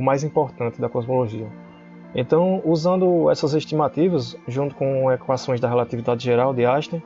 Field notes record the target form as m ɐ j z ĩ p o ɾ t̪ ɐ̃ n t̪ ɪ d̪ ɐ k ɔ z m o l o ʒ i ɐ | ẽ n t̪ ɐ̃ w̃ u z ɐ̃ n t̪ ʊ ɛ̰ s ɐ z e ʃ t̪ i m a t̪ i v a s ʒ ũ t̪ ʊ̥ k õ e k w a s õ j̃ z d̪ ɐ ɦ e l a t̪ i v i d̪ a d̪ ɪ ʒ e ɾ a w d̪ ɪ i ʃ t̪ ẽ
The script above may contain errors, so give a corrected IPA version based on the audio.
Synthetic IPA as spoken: m a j z ĩ p o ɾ t̪ ɐ̃ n t̪ ɪ d̪ ɐ k ɔ z m o l o ʒ i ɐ | ẽ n t̪ ɐ̃ w̃ u z ɐ̃ n d̪ ʊ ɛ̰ s ɐ z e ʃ t̪ i m a t̪ i v ɐ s ʒ ũ t̪ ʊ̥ k õ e k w a s õ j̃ z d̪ ɐ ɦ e l a t̪ i v i d̪ a d̪ ɪ ʒ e ɾ a w d̪ ɪ a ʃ t̪ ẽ